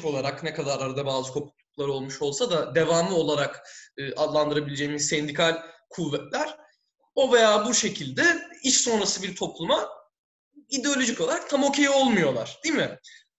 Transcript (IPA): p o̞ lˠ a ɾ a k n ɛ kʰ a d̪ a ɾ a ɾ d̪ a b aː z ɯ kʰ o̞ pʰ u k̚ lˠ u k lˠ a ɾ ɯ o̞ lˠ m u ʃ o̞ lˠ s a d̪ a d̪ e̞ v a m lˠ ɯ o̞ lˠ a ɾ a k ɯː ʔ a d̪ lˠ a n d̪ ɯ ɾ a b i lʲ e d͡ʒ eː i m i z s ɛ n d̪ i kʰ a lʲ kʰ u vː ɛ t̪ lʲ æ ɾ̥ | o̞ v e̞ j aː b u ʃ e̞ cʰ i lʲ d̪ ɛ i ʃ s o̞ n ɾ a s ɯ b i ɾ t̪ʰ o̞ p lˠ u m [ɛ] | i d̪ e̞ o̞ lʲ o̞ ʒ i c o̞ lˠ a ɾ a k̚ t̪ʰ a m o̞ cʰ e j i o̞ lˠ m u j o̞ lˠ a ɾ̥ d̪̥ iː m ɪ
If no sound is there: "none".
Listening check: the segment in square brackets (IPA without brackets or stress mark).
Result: a